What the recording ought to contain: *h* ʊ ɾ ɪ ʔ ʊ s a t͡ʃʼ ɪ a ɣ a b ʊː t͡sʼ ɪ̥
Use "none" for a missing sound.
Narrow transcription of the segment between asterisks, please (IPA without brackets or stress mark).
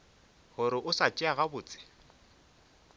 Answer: h